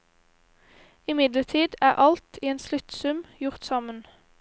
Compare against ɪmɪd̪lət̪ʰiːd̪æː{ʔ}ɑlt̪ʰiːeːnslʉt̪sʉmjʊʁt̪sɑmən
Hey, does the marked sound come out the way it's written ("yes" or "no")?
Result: yes